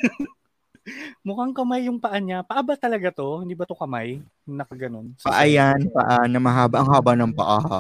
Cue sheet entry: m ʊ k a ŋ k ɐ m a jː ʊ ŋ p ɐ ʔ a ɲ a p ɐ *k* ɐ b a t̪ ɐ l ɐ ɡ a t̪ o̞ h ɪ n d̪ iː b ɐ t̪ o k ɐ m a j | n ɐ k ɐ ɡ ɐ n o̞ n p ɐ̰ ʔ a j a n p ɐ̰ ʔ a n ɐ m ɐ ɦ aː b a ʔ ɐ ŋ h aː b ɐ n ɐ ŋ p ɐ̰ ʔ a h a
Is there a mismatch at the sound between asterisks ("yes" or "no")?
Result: yes